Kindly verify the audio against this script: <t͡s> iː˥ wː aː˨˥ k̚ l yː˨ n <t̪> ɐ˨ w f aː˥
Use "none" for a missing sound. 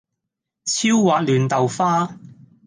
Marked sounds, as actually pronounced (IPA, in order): t͡sʰ, t̪

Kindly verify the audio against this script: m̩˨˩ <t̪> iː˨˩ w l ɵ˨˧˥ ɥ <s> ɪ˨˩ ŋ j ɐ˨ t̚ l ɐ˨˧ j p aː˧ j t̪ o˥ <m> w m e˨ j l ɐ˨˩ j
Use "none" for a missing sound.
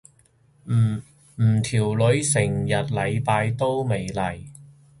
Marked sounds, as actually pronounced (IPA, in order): t̪ʰ, s, none

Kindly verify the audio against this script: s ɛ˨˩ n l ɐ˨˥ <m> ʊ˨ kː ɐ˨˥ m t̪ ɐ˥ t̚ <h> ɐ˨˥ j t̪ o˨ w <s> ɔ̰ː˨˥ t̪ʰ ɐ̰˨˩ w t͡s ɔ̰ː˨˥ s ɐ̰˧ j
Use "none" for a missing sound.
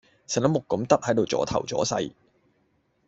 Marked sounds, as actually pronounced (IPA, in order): m, h, t͡s

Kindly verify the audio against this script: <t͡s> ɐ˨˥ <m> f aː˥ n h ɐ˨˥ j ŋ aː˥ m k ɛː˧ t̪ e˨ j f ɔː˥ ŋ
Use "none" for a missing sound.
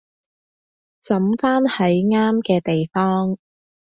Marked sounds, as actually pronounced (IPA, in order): t͡s, m

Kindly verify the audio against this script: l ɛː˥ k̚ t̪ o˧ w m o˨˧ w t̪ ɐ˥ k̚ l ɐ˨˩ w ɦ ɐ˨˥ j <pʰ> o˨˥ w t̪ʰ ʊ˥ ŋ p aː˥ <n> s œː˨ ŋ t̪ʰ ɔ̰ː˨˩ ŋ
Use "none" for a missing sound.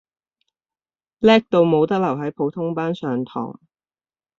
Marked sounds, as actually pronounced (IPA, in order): pʰ, n

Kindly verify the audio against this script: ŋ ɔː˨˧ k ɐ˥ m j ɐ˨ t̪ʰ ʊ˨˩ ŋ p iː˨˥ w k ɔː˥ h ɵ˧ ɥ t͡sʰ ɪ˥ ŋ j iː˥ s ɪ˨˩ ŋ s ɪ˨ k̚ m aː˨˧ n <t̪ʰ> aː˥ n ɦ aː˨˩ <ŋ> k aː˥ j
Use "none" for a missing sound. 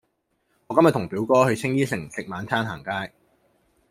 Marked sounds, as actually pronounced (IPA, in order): t̪ʰ, ŋ

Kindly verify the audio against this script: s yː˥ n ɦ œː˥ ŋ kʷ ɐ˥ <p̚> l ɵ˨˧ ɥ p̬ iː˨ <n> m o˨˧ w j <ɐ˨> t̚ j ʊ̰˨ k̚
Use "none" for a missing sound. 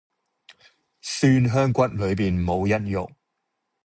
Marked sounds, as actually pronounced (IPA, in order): t̚, n, ɐ˥

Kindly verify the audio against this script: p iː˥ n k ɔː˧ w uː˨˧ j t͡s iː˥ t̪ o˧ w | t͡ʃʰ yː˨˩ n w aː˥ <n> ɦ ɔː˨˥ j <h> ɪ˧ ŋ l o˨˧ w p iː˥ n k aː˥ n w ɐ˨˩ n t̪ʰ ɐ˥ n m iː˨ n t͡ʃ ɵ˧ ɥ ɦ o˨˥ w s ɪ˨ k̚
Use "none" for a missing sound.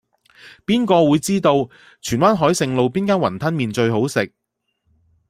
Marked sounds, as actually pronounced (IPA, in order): n, s

